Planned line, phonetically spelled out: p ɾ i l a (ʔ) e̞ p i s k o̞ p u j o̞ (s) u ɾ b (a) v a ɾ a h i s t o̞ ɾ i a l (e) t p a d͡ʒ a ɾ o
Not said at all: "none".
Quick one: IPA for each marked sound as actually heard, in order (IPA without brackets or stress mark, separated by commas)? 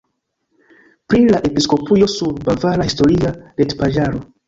ʔ, s, a, e